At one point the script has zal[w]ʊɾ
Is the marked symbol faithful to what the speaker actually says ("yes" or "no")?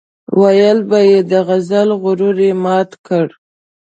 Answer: no